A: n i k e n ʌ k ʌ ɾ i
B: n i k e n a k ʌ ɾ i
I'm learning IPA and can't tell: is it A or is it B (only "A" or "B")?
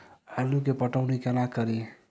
B